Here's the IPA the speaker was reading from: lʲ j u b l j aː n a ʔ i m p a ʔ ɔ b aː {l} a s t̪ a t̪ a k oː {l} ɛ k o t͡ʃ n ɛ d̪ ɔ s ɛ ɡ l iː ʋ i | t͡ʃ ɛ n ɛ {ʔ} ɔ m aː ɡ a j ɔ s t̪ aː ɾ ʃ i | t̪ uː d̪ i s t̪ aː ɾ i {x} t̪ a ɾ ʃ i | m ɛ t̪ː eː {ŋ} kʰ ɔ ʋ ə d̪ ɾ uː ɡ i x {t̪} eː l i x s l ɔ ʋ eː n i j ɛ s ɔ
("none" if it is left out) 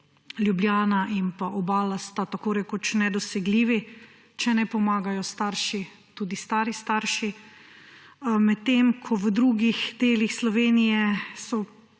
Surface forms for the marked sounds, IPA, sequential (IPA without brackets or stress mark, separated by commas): l, ɾ, p, s, m, d̪